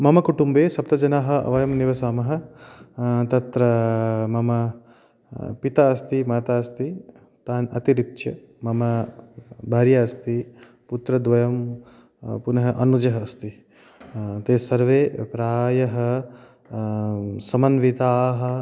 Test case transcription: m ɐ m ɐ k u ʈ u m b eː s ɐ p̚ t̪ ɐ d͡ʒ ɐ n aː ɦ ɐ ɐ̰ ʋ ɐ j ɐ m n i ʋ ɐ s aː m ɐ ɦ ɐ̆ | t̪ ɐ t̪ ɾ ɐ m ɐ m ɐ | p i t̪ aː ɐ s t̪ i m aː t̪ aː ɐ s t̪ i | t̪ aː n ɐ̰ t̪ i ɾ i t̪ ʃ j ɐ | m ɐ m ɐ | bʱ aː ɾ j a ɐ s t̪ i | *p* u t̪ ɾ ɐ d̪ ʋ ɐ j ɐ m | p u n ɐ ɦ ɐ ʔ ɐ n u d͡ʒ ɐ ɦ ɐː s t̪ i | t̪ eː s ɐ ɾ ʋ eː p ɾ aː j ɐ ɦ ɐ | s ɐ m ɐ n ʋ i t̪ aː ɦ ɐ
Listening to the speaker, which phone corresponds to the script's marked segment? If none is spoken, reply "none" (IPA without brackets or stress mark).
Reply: p